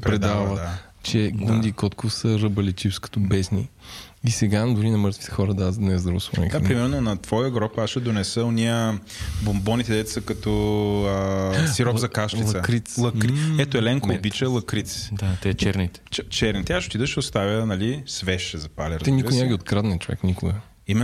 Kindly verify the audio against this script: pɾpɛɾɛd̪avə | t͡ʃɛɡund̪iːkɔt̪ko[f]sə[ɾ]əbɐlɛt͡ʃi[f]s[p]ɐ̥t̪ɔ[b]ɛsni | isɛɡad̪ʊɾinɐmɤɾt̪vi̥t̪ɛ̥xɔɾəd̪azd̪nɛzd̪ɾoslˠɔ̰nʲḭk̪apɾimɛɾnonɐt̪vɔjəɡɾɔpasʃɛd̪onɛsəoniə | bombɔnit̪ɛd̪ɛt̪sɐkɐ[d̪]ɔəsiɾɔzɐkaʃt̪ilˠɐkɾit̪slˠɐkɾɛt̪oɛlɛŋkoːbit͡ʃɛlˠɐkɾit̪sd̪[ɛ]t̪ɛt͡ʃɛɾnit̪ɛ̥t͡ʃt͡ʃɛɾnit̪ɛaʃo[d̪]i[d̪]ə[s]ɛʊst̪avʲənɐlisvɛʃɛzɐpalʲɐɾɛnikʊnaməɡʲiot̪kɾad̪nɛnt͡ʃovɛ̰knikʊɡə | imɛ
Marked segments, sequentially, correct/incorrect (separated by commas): correct, correct, correct, incorrect, correct, incorrect, incorrect, incorrect, correct, incorrect